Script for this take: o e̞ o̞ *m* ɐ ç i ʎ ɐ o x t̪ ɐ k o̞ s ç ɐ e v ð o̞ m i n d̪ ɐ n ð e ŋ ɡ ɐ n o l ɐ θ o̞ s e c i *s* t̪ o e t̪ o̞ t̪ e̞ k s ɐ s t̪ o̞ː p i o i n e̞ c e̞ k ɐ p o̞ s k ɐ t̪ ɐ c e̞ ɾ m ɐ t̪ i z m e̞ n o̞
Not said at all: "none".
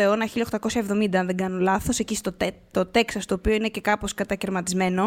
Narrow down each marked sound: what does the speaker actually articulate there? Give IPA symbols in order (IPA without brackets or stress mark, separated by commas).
n, s